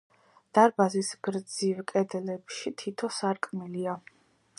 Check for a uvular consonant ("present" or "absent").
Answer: absent